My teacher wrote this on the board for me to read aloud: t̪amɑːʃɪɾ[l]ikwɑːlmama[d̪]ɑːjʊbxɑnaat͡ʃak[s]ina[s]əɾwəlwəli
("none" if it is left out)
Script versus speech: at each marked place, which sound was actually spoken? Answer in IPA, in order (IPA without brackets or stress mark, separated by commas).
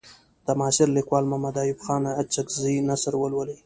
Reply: l, d̪, z, s